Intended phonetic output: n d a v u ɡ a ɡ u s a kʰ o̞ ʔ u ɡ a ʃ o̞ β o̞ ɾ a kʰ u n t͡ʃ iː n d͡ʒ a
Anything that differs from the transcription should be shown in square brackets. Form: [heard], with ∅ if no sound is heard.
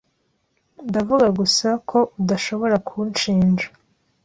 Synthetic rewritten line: n d a v u ɡ a ɡ u s a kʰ o̞ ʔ u [d] a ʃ o̞ β o̞ ɾ a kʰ u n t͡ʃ iː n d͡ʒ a